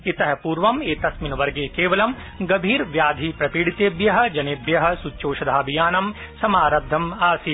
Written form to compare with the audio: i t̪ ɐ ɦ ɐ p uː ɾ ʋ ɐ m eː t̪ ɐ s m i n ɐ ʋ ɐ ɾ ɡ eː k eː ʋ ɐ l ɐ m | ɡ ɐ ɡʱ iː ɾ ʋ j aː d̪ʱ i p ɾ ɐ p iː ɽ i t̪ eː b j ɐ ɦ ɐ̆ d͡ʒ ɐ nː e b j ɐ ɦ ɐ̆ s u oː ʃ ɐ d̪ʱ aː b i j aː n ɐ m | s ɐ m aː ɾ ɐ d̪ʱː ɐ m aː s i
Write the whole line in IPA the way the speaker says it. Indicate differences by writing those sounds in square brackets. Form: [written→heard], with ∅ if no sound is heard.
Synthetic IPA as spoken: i t̪ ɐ ɦ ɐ p uː ɾ ʋ ɐ m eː t̪ ɐ s m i n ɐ ʋ ɐ ɾ ɡ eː k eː ʋ ɐ l ɐ m | ɡ ɐ [ɡʱ→bʱ] iː ɾ ʋ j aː d̪ʱ i p ɾ ɐ p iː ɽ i t̪ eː b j ɐ ɦ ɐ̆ d͡ʒ ɐ [nː→n] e b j ɐ ɦ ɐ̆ s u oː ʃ ɐ d̪ʱ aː b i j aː n ɐ m | s ɐ m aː ɾ ɐ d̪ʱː ɐ m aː s i